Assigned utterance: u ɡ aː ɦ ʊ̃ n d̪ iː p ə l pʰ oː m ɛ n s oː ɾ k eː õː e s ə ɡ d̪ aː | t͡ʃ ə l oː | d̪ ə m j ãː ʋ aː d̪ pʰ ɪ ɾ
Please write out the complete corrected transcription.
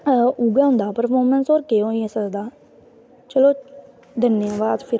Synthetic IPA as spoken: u ɡ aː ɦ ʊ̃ n d̪ aː p ə ɾ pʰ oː m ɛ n s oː ɾ k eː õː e s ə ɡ d̪ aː | t͡ʃ ə l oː | d̪ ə n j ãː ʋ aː d̪ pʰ ɪ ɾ